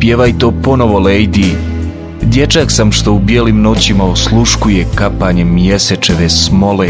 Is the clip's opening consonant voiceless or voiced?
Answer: voiceless